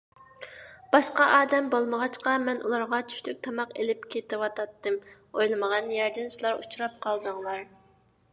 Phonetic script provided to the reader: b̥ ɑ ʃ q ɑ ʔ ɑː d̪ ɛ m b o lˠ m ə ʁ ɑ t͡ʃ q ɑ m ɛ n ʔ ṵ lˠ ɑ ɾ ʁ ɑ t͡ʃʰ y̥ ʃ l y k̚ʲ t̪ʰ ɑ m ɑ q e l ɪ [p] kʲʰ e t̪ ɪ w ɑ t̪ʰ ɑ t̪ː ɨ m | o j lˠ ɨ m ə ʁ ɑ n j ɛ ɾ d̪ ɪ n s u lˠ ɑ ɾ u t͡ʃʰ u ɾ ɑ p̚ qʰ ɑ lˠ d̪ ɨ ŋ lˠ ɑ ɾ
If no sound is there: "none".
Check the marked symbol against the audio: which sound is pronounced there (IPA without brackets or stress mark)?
p